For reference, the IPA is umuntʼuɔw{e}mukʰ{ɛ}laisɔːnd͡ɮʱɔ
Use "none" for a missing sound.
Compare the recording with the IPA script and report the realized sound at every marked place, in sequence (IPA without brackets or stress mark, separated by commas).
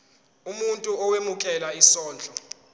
e, ɛ